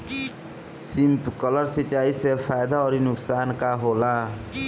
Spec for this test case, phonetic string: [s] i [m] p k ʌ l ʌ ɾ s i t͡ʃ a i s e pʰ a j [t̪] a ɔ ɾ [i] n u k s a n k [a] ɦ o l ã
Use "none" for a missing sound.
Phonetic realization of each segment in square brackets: s, m, d̪, i, a

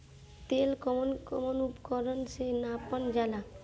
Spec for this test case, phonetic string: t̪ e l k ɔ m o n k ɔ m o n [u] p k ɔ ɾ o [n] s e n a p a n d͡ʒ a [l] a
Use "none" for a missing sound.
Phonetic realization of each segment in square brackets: u, n, l

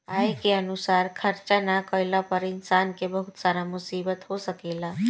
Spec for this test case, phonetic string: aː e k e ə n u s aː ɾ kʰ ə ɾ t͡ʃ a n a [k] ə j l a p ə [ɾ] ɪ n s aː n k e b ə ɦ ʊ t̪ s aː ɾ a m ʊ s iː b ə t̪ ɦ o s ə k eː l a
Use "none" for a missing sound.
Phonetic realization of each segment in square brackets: k, ɾ

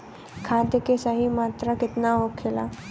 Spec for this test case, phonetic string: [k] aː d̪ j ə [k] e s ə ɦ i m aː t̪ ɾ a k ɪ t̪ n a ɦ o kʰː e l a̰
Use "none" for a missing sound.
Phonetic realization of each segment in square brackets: kʰ, k

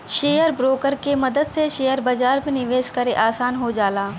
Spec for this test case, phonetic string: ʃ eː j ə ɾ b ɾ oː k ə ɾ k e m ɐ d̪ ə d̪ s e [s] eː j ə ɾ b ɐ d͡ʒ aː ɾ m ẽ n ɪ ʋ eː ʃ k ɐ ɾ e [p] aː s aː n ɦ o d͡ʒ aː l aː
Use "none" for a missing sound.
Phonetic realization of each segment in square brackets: ʃ, ʔ

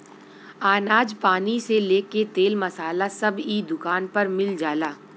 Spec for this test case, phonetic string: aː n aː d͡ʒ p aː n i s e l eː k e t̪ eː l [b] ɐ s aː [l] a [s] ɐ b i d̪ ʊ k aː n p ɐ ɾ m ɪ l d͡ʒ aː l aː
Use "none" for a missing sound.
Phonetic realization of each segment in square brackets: m, l, s

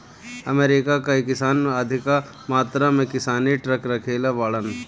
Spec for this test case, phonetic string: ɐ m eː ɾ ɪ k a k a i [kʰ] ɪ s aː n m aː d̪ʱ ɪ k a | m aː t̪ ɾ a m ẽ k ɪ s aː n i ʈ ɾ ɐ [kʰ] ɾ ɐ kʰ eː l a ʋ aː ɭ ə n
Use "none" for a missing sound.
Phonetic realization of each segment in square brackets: k, k

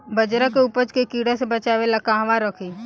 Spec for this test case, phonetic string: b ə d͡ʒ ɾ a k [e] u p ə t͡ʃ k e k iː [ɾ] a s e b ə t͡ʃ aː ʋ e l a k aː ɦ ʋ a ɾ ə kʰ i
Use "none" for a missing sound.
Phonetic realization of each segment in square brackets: e, ɽ

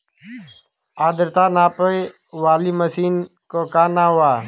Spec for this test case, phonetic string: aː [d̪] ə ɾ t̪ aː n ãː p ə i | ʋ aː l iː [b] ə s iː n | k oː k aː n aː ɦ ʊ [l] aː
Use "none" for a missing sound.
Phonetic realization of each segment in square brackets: d̪, m, none

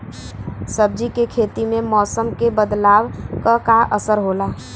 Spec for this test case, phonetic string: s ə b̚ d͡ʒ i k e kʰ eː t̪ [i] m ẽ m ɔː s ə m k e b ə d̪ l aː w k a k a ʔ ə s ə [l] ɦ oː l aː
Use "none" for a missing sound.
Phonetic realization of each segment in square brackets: i, ɾ

